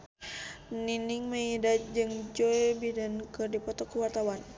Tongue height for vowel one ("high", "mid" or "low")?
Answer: high